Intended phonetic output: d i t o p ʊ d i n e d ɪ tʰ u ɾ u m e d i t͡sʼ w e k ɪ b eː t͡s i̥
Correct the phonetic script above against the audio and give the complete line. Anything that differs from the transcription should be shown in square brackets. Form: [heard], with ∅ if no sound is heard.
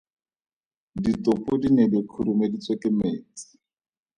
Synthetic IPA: d i t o p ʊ d i n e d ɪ [kʰ] u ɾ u m e d i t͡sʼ w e k ɪ [m] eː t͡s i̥